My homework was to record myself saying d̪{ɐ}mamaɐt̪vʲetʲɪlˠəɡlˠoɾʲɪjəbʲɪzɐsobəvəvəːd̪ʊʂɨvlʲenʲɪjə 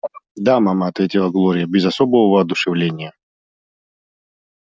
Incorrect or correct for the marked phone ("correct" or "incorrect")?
incorrect